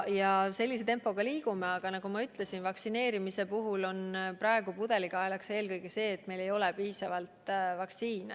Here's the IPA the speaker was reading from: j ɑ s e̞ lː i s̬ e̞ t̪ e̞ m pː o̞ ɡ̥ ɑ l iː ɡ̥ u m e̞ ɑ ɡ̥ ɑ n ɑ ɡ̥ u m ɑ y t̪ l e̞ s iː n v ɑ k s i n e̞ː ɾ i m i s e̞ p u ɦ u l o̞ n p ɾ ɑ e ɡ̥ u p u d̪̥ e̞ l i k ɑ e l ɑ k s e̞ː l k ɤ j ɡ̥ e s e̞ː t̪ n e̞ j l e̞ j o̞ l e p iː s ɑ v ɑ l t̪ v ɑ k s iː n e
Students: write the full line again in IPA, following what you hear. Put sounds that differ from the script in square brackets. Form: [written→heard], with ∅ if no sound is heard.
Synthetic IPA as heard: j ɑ s e̞ lː i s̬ e̞ t̪ e̞ m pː o̞ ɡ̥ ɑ l iː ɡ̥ u m e̞ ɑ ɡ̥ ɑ n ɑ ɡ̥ u m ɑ y t̪ l e̞ s [iː→i] n v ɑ k s i n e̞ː ɾ i m i s e̞ p u ɦ u l o̞ n p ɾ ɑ e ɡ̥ u p u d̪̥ e̞ l i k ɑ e l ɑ k s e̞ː l k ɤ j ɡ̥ e s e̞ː t̪ [n→m] e̞ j l e̞ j o̞ l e p iː s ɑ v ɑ l t̪ v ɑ k s iː n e